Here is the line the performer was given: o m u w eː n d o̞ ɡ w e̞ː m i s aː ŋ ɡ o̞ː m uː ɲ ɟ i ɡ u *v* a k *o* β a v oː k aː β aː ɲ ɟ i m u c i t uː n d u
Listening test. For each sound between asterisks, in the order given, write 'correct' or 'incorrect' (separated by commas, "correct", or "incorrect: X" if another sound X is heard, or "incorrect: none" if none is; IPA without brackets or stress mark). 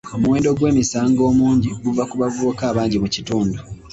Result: correct, incorrect: u